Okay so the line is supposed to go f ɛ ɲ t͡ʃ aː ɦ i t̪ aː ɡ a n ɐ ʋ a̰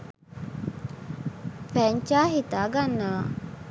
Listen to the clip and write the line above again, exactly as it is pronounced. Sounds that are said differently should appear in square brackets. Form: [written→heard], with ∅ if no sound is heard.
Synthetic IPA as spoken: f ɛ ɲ t͡ʃ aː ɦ i t̪ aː ɡ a [n→nː] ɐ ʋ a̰